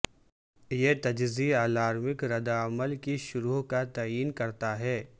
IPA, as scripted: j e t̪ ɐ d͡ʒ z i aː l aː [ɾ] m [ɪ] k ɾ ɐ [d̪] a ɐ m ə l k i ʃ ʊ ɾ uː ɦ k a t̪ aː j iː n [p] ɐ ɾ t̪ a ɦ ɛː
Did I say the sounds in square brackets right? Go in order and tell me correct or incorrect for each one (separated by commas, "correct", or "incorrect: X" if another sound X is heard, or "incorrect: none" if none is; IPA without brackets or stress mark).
correct, correct, correct, incorrect: k